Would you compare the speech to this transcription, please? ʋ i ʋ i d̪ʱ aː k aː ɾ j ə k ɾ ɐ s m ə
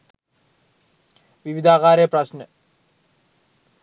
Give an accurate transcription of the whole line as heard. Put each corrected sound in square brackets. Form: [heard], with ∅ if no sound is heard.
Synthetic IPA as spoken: ʋ i ʋ i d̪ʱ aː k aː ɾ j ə [p] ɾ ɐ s [n] ə